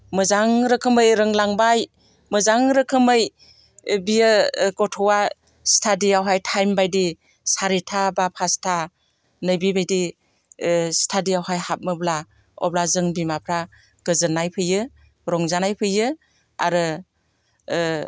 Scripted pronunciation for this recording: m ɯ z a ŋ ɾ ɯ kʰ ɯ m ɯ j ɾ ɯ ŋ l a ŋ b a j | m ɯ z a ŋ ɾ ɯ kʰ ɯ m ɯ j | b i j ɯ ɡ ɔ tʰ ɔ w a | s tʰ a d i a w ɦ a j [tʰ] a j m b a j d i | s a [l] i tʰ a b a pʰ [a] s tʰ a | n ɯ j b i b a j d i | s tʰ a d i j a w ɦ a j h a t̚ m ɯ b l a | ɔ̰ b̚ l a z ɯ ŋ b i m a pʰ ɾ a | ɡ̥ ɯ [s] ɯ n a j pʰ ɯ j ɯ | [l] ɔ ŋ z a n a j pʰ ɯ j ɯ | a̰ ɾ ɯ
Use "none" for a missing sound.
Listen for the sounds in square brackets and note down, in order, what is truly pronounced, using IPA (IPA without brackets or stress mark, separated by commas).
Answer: tʰ, ɾ, a, z, ɾ